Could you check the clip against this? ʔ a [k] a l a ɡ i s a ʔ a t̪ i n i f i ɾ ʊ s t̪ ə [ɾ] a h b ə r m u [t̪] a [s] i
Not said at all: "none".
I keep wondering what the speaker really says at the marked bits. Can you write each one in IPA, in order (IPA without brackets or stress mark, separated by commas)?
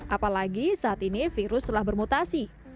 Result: p, l, t̪, s